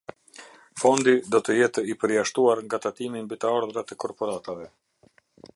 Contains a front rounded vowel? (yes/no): no